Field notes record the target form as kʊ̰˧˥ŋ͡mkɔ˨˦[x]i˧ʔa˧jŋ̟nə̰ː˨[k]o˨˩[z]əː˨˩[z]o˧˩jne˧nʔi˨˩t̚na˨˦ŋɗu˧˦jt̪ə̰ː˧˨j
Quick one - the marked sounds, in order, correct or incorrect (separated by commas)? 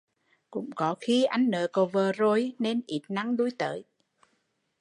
correct, correct, incorrect, correct